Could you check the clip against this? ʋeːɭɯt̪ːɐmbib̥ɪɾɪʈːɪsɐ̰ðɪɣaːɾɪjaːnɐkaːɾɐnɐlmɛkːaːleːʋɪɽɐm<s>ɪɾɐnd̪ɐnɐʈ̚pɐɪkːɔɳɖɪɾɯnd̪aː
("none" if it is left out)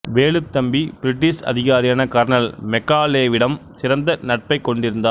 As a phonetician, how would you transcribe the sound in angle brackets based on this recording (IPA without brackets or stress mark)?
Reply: s